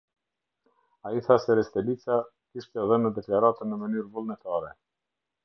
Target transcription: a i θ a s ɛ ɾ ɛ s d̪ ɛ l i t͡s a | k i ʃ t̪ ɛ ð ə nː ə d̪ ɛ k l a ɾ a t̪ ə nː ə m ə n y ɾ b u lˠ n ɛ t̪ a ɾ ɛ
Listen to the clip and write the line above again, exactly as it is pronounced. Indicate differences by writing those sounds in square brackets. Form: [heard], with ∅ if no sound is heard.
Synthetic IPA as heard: a i θ a s ɛ ɾ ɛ s [t̪] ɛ l i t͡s a | k i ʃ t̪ ɛ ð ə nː ə d̪ ɛ k l a ɾ a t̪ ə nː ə m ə n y ɾ [v] u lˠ n ɛ t̪ a ɾ ɛ